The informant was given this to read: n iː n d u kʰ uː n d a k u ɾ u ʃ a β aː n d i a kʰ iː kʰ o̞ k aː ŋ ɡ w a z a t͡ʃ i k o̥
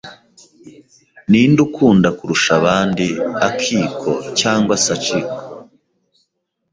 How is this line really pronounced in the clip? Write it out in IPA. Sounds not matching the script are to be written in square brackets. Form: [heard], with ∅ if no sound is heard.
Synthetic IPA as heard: n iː n d u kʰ uː n d a k u ɾ u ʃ a β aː n d i a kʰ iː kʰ o̞ [c] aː ŋ ɡ w a [s] a t͡ʃ i k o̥